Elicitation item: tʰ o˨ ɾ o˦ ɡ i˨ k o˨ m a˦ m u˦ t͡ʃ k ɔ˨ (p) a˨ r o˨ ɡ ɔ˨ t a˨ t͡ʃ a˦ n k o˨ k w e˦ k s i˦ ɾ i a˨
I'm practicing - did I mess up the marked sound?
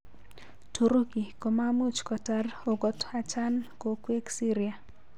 yes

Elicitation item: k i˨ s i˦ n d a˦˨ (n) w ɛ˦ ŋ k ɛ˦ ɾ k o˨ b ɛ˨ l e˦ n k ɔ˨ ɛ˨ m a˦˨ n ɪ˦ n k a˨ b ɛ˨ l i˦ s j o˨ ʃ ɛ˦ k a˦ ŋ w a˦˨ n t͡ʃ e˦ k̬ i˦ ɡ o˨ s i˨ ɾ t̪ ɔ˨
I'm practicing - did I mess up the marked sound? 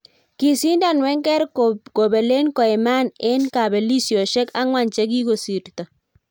no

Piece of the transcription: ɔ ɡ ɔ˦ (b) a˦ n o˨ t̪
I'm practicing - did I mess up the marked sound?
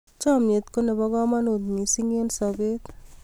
yes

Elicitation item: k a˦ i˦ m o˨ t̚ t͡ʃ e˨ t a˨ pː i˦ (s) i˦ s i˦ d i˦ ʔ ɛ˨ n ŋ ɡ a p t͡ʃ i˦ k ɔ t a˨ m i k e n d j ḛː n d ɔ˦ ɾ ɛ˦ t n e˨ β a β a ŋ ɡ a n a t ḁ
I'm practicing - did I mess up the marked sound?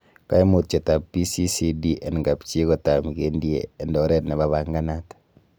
no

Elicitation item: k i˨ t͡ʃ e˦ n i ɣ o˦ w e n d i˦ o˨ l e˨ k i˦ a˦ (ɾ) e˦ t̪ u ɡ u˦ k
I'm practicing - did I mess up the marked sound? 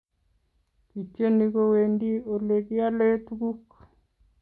yes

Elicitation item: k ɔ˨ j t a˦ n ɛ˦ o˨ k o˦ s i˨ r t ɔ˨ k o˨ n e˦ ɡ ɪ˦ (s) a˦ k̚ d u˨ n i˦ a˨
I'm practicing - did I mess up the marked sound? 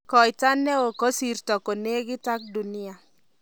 yes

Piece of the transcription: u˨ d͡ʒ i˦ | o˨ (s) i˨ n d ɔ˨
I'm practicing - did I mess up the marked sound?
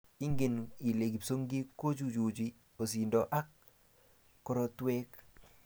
no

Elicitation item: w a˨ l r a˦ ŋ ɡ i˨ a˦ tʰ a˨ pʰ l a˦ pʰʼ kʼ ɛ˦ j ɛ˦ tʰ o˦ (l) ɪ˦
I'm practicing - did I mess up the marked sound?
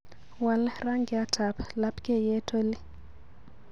no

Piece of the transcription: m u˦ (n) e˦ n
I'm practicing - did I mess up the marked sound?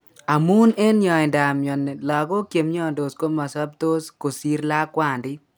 no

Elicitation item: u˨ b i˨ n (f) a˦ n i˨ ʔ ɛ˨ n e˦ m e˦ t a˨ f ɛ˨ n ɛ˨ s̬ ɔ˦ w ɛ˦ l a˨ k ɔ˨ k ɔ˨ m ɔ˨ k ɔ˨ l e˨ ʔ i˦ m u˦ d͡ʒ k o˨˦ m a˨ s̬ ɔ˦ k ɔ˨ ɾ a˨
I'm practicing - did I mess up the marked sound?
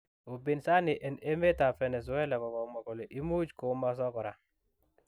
yes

